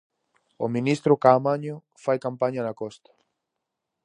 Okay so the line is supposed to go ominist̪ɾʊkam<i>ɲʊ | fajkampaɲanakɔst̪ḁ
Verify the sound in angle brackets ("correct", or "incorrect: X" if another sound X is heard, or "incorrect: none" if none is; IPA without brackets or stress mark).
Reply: incorrect: a